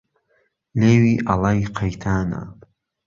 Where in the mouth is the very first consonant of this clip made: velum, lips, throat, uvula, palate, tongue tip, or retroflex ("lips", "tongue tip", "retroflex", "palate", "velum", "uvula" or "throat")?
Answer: tongue tip